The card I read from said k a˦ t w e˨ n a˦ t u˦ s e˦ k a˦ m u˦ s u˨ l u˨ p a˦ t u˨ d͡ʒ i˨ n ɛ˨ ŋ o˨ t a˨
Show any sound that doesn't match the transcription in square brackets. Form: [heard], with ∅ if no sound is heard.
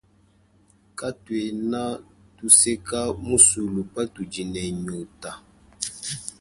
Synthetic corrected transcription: k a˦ t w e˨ n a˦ t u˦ s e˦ k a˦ m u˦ s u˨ l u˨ p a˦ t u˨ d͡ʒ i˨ n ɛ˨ [ɲ] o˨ t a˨